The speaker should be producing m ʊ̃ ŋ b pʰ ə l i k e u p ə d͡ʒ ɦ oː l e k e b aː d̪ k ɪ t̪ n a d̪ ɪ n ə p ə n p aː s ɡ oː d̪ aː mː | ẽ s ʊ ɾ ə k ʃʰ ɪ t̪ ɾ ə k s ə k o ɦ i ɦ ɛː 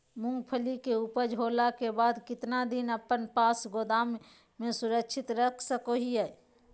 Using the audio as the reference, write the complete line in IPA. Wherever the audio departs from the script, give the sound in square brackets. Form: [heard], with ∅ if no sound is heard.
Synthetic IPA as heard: m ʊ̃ ŋ [ɡ] pʰ ə l i k e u p ə d͡ʒ ɦ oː l [a] k e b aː d̪ k ɪ t̪ n a d̪ ɪ n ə p ə n p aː s ɡ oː d̪ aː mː | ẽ s ʊ ɾ ə k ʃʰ ɪ t̪ ɾ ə [kʰ] s ə k o ɦ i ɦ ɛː